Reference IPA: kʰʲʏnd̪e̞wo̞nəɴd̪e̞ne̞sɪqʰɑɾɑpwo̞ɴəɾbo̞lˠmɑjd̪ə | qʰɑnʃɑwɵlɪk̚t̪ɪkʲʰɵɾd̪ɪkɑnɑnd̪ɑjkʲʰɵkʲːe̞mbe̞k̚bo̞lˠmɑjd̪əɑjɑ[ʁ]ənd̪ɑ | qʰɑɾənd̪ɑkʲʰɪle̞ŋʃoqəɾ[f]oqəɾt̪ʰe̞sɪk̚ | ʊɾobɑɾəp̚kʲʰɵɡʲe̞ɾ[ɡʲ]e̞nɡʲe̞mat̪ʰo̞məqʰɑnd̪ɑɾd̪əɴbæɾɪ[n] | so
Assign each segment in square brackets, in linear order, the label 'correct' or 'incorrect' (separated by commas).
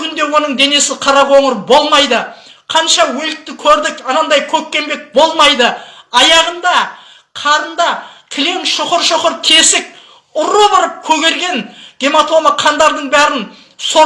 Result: correct, incorrect, correct, correct